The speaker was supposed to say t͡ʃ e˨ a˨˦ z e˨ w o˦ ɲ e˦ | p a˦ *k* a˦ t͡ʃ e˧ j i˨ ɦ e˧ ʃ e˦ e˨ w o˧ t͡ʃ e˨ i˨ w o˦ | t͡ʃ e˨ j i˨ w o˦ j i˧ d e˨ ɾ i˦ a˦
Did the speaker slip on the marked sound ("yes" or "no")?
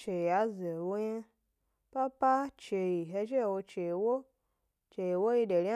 yes